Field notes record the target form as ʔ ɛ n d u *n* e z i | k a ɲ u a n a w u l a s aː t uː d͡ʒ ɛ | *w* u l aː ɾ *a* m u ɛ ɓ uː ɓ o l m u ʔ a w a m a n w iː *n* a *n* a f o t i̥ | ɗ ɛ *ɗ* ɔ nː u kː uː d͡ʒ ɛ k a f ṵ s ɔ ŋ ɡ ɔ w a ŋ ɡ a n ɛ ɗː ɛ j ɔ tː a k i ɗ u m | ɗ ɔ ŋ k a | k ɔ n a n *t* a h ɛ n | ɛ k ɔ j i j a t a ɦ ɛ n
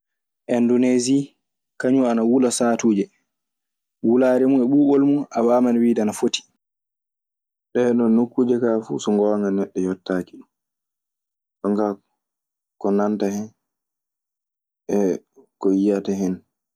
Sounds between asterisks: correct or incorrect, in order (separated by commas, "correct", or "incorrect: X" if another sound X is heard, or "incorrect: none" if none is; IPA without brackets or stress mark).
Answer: correct, correct, incorrect: ɛ, incorrect: d, correct, correct, correct